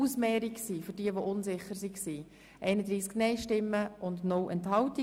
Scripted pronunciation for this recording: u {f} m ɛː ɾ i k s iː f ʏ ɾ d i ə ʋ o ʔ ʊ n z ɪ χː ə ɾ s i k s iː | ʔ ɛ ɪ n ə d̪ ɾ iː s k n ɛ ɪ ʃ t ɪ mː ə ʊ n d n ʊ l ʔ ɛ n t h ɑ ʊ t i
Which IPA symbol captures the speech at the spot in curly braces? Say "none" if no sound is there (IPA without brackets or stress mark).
s